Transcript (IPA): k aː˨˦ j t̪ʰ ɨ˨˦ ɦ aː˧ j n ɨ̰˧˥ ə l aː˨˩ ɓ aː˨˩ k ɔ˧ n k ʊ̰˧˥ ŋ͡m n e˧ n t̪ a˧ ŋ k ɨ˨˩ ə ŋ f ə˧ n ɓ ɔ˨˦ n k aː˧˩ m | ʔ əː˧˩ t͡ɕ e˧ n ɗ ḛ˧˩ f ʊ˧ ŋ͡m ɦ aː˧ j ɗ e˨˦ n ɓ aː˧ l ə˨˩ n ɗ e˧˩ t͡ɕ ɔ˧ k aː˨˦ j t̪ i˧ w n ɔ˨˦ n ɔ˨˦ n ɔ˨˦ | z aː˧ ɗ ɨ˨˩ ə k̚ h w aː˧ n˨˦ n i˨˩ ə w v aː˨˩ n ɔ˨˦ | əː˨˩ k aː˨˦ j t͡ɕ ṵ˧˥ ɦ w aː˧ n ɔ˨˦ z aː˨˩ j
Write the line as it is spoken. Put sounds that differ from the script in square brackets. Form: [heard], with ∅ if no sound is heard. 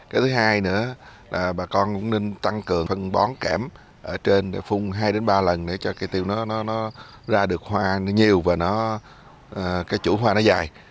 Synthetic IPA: k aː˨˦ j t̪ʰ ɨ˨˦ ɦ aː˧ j n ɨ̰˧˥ ə l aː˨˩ ɓ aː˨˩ k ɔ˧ n k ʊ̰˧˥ ŋ͡m n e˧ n t̪ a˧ ŋ k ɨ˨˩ ə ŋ f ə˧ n ɓ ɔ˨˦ n k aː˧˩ m | ʔ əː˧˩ t͡ɕ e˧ n ɗ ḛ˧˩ f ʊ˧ ŋ͡m ɦ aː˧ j ɗ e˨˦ n ɓ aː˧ l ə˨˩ n ɗ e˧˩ t͡ɕ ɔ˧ k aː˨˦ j t̪ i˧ w n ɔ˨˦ n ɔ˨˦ n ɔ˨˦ | z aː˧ ɗ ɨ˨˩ ə k̚ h w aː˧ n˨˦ [ɲ] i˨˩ ə w v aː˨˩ n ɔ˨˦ | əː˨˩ k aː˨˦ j t͡ɕ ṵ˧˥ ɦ w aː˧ n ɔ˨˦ z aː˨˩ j